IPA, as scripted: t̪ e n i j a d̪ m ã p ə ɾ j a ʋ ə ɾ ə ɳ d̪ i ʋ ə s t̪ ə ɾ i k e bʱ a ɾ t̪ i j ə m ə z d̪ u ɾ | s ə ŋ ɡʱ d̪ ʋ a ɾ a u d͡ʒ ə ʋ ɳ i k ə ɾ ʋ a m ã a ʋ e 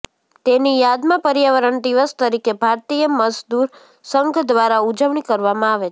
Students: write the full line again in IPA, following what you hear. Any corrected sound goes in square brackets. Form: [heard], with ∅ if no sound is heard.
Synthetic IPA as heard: t̪ e n i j a d̪ m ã p ə ɾ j a ʋ ə ɾ ə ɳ d̪ i ʋ ə s t̪ ə ɾ i k e bʱ a ɾ t̪ i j ə m ə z d̪ u ɾ | s ə ŋ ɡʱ d̪ ʋ a ɾ a u d͡ʒ ə ʋ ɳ i k ə ɾ ʋ a m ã a ʋ e